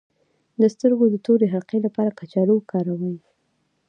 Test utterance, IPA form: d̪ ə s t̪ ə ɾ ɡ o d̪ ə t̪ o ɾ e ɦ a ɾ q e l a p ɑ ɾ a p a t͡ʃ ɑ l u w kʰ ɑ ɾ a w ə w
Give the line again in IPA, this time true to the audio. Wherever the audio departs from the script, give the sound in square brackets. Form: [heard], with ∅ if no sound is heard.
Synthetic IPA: d̪ ə s t̪ ə ɾ ɡ o d̪ ə t̪ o ɾ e ɦ a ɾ q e l a p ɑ ɾ a [k] a t͡ʃ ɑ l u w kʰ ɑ ɾ a w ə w